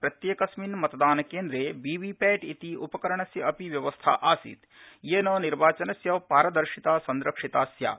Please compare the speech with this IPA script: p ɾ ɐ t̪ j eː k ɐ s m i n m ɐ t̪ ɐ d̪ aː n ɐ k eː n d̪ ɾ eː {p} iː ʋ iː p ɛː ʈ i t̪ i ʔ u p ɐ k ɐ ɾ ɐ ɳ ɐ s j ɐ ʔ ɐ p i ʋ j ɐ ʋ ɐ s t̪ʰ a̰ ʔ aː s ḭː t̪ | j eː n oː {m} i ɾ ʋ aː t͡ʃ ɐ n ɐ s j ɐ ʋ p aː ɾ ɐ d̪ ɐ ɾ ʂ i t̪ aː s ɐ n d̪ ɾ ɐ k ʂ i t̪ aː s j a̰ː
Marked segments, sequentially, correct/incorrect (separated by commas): incorrect, incorrect